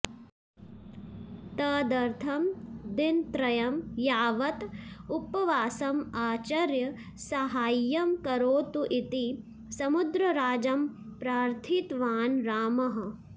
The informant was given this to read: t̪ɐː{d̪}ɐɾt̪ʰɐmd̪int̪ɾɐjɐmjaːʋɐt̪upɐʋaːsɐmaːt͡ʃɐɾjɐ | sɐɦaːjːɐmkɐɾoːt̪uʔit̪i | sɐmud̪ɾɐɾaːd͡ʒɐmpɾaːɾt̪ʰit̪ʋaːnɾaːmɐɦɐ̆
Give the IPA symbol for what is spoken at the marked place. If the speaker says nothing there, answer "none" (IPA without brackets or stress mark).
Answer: d̪